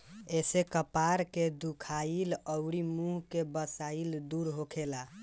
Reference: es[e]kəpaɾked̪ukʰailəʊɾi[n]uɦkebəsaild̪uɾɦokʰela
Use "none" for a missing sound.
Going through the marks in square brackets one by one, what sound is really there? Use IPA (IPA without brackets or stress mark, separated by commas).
e, m